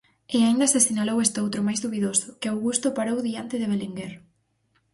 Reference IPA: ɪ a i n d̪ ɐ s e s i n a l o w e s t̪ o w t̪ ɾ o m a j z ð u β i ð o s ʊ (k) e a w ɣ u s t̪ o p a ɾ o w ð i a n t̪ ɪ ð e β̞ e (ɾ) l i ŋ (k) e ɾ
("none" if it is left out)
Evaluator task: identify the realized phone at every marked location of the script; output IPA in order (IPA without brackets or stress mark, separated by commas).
k, none, ɡ